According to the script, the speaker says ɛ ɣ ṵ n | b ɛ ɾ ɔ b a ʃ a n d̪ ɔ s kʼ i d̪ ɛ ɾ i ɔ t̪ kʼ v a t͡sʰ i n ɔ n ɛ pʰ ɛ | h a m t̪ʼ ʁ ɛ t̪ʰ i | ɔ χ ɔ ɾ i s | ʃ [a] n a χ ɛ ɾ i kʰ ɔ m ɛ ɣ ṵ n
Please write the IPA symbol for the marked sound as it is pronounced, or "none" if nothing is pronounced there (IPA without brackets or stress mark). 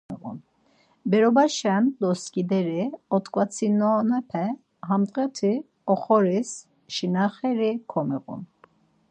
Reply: i